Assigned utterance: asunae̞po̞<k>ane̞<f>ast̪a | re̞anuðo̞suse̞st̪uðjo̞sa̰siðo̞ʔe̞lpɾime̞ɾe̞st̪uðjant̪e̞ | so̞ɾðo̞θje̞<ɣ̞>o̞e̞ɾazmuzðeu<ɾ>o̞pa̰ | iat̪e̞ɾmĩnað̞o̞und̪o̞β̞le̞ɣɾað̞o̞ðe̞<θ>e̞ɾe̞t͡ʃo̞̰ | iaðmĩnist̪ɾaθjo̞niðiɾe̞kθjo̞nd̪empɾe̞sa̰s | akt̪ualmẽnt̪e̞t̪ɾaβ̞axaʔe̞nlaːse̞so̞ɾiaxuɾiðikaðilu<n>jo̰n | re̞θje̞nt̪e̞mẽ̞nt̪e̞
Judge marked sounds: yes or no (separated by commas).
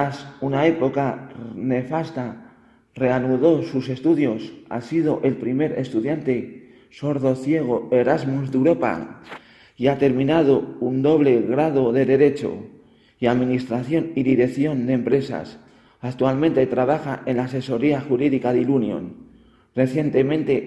yes, yes, yes, yes, no, yes